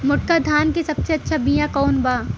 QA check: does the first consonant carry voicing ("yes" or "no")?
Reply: yes